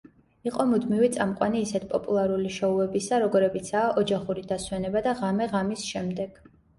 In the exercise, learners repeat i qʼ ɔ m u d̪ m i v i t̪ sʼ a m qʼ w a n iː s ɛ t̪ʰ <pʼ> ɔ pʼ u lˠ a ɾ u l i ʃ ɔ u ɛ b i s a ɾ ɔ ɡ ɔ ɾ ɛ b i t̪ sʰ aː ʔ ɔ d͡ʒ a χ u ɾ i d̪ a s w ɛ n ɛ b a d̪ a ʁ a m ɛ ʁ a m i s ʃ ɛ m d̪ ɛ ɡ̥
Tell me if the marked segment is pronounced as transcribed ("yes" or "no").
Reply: yes